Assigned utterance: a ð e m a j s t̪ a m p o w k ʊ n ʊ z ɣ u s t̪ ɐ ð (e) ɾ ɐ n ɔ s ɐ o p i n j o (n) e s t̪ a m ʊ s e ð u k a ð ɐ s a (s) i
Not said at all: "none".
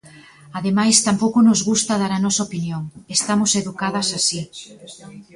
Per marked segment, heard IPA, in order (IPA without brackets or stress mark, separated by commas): a, ŋ, s